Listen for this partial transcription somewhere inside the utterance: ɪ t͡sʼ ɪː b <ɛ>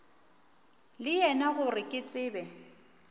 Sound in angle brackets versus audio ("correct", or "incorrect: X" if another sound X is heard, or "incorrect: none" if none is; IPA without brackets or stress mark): correct